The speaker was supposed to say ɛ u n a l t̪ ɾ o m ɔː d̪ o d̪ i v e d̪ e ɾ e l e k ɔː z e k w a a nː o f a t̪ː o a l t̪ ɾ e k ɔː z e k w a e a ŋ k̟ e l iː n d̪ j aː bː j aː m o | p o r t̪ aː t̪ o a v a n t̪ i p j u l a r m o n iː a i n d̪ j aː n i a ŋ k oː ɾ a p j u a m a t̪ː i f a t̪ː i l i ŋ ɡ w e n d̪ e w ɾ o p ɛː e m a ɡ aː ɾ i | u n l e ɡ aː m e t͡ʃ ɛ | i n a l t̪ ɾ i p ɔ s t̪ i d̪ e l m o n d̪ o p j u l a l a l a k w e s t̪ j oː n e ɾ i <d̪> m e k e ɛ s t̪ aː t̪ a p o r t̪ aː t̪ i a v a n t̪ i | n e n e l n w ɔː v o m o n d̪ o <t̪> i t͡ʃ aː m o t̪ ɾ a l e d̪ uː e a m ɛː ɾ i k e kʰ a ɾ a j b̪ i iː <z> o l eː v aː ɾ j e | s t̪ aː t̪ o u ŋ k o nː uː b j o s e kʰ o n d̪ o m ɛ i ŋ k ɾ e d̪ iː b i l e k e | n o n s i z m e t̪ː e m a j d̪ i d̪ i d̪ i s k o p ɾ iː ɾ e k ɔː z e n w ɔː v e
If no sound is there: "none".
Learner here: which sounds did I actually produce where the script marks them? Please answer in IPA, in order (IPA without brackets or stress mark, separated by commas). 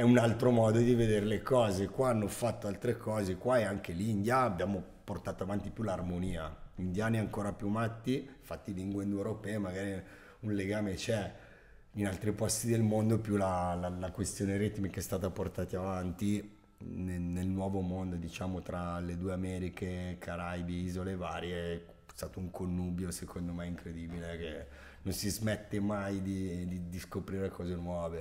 t̪, d̪, z